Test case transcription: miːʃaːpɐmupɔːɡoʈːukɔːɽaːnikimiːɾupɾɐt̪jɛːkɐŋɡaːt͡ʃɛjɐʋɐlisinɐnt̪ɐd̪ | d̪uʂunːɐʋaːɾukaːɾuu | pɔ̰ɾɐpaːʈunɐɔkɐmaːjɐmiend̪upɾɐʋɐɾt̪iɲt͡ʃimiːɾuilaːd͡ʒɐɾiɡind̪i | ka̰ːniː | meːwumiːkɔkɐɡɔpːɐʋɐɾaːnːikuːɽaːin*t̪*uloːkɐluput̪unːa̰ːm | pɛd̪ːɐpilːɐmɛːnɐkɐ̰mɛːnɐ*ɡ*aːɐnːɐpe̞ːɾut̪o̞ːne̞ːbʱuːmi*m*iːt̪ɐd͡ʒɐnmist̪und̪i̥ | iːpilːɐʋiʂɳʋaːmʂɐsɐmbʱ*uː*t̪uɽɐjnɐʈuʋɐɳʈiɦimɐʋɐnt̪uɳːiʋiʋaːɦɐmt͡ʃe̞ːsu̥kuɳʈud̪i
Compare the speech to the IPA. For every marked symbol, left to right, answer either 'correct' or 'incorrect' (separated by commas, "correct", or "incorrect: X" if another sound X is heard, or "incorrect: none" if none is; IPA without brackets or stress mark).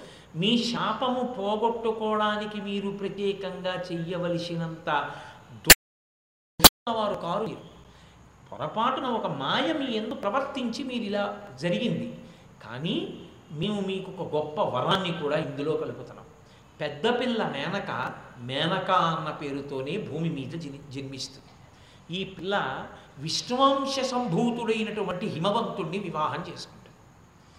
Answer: incorrect: d̪, incorrect: k, correct, correct